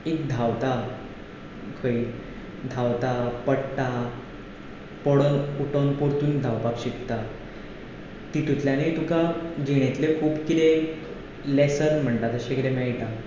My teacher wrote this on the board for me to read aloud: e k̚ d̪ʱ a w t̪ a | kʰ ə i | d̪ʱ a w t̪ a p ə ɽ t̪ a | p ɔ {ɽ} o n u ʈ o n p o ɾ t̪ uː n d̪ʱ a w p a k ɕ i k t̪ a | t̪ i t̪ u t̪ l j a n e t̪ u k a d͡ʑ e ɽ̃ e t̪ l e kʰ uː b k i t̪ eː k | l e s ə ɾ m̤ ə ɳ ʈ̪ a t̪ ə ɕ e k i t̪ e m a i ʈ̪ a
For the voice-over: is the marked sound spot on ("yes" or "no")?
yes